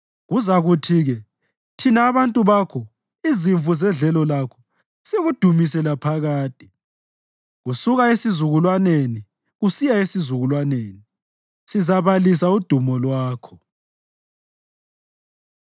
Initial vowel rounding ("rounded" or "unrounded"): rounded